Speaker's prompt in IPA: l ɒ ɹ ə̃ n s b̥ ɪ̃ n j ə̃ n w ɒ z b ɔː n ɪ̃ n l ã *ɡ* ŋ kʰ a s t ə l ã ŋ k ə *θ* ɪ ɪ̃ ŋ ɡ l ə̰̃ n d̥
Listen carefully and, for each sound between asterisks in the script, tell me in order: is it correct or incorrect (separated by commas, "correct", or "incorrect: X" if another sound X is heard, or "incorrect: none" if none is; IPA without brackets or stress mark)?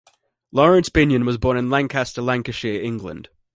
incorrect: none, incorrect: ʃ